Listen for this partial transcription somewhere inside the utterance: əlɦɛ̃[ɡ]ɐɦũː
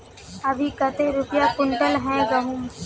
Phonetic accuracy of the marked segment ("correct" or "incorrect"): correct